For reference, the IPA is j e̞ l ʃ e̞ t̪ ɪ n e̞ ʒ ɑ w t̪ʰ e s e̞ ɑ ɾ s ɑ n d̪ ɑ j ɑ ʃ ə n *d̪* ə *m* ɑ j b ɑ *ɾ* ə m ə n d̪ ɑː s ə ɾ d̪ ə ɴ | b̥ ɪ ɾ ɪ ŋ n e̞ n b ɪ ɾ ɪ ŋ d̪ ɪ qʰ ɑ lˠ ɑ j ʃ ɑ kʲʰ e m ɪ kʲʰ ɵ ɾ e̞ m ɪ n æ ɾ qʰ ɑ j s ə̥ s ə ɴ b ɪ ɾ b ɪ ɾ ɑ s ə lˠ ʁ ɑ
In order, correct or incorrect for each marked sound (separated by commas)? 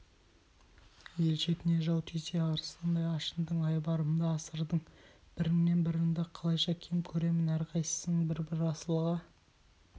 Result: correct, incorrect, correct